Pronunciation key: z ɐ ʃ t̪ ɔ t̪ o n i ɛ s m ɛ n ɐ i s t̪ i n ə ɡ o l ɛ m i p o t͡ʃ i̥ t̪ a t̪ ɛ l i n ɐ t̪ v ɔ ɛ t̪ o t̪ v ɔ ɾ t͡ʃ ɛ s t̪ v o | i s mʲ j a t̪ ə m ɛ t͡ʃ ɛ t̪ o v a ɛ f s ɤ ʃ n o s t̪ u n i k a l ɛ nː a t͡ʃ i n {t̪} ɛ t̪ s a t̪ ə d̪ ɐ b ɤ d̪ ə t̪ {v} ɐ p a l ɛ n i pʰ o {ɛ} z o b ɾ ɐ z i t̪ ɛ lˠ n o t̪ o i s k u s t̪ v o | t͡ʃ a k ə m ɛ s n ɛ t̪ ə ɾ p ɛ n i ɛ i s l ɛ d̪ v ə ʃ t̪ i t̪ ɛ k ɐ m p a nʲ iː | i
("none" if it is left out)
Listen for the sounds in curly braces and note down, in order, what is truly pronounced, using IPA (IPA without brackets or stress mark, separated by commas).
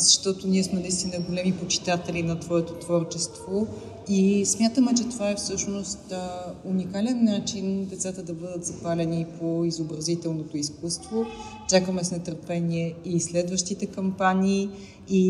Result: d̪, z, i